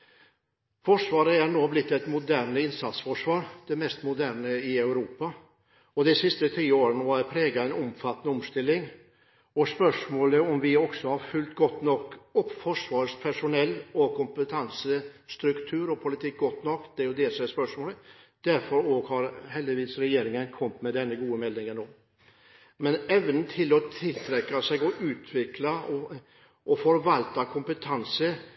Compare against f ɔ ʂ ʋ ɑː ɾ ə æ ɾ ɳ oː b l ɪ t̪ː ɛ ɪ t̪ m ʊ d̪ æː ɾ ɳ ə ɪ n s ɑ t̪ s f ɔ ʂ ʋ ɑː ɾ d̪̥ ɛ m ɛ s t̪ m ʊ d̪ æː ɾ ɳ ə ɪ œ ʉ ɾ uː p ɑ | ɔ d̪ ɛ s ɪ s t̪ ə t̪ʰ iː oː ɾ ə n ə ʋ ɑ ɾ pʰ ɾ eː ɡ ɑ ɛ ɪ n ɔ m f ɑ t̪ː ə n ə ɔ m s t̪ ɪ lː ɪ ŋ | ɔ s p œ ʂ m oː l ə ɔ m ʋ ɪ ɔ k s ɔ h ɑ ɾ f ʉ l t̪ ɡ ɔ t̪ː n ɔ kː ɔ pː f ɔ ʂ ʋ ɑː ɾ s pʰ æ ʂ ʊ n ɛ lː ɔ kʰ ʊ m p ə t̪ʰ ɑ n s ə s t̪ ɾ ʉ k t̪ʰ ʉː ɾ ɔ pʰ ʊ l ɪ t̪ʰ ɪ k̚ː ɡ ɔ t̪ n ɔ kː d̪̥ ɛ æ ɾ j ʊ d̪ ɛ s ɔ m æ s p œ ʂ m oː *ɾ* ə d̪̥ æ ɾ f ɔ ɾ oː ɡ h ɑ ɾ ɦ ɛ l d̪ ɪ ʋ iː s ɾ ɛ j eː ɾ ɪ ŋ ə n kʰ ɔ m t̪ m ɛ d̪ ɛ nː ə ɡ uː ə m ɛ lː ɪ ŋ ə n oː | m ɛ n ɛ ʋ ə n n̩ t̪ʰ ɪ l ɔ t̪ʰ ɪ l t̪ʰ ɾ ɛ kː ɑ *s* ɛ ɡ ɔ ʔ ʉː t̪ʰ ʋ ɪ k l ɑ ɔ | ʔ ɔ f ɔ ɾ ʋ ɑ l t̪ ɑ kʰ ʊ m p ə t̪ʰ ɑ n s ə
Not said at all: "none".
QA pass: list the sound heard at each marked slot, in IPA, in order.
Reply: l, s

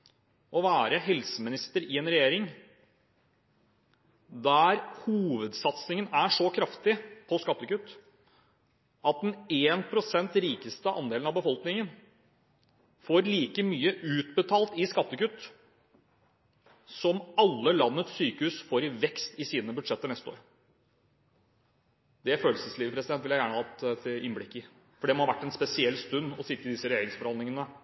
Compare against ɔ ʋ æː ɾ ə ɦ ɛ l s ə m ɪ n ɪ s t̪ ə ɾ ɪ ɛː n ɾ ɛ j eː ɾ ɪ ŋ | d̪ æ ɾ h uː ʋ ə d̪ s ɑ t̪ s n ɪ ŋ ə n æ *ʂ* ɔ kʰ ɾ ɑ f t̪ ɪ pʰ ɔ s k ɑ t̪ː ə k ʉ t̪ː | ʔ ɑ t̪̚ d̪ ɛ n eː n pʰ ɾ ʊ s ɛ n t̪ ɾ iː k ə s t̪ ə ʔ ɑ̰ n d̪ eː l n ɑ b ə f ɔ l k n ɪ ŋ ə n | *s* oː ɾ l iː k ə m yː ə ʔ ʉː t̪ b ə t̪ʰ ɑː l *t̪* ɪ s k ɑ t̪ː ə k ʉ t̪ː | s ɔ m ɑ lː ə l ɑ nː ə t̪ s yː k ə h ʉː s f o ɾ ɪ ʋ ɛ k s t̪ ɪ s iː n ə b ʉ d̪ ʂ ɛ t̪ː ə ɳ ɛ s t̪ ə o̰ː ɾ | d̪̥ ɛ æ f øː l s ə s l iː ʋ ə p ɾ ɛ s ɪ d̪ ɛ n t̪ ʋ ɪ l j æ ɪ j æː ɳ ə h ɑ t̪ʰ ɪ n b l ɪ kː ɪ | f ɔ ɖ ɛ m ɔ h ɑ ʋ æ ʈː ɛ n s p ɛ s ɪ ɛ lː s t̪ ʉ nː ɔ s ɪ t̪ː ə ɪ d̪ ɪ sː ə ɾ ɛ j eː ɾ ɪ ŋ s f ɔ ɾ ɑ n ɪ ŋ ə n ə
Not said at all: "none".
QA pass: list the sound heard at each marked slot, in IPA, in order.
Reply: ʂ, f, t̪

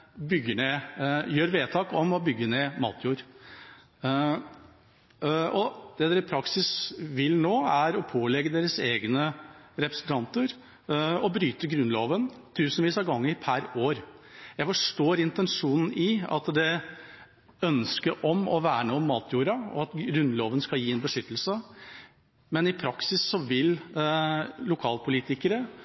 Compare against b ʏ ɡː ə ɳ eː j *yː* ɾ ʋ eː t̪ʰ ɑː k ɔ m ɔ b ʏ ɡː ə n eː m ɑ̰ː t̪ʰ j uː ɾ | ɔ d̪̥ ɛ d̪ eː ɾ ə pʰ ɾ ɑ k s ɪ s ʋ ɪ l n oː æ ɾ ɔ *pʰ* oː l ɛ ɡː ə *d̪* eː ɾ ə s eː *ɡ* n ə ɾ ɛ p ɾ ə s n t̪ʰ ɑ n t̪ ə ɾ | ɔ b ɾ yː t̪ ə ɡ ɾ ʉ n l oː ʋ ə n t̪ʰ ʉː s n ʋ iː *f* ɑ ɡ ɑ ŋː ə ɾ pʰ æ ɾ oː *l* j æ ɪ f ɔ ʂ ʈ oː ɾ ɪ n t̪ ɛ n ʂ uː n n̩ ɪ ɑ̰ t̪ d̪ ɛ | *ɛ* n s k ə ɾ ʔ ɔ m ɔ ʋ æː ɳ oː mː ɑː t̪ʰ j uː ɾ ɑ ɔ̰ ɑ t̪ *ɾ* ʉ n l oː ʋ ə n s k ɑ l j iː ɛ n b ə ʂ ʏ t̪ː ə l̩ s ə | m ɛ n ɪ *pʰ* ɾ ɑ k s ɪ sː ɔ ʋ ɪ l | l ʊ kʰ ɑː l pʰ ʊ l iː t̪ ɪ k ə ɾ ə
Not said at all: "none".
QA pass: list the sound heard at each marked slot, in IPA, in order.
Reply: øː, pʰ, d̪, ɡ, s, ɾ, œ, ɾ, pʰ

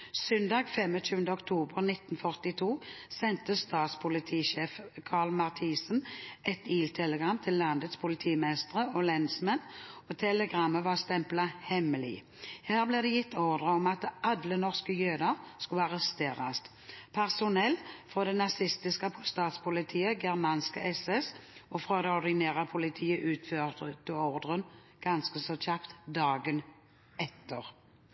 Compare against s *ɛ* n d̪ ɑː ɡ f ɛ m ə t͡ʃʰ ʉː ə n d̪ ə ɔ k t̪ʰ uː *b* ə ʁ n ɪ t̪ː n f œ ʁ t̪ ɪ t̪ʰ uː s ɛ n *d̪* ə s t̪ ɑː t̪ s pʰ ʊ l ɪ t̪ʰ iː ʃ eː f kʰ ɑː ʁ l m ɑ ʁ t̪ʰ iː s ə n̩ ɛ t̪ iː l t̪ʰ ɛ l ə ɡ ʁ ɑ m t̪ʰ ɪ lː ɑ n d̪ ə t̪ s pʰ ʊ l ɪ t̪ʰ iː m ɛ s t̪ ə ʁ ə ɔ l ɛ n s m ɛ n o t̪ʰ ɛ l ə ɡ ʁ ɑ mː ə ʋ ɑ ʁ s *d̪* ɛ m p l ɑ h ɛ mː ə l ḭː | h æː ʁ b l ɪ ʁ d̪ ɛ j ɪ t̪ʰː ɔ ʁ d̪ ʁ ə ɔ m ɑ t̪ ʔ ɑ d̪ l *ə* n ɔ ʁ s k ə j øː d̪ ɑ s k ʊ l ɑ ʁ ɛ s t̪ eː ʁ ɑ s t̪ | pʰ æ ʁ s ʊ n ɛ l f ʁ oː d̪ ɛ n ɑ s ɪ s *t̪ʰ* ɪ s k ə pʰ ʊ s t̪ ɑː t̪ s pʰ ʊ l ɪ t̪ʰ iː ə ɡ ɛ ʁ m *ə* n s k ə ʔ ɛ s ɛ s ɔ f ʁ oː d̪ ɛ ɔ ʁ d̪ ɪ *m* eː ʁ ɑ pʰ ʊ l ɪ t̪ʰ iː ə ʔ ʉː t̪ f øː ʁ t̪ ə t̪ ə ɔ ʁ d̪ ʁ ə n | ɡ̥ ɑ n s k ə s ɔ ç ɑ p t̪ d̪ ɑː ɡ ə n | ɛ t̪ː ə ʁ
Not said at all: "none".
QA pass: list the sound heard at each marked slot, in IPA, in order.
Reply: œ, b, t̪, t̪, ə, t̪, ɑ, n

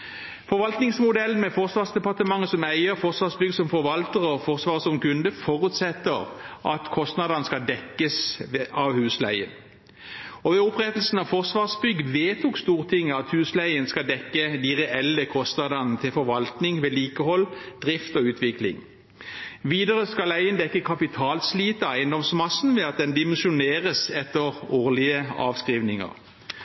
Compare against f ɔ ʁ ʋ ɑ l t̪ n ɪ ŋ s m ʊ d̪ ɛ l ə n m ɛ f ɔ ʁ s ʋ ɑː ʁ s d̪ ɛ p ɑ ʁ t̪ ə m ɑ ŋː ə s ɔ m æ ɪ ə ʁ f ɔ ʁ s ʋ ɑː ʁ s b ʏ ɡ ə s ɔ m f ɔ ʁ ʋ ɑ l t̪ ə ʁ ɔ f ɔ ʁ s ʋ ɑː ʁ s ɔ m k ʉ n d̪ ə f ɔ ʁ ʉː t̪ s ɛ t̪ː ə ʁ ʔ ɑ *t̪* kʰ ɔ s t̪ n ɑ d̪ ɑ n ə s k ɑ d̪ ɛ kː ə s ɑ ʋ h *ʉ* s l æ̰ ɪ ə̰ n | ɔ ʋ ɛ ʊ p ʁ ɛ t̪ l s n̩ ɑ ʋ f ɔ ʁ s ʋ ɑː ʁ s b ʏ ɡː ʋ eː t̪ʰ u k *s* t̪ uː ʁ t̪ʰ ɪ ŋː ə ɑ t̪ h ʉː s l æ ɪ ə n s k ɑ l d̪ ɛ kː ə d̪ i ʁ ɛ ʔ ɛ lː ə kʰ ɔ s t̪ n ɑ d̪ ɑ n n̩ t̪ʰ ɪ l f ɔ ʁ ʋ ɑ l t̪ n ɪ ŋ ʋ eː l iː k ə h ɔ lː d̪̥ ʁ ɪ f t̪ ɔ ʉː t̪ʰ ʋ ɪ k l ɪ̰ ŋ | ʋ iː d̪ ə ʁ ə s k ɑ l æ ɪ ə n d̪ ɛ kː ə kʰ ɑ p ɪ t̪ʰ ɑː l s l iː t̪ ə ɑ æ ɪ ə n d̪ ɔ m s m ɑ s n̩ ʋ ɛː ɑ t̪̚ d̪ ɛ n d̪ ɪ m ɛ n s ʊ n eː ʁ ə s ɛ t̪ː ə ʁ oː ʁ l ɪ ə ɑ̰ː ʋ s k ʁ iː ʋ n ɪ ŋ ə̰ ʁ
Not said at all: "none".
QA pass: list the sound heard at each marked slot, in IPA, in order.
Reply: t̪, ʉː, s

